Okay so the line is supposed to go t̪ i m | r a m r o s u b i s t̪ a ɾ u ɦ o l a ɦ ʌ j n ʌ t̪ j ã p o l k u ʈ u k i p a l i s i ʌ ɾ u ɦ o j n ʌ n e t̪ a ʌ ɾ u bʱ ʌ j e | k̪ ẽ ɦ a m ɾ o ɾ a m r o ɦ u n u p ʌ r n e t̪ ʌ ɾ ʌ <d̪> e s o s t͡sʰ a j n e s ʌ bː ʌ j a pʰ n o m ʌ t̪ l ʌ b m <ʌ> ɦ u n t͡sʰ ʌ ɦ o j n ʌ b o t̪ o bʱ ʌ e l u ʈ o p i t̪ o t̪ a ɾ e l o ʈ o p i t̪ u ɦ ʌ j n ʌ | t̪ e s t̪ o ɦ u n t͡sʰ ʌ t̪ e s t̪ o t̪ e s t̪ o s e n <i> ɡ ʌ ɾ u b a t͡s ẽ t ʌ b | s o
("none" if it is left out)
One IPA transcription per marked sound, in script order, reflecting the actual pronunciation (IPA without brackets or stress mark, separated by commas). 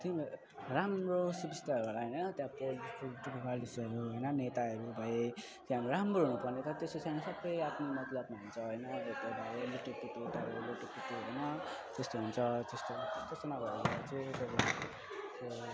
t̪, a, a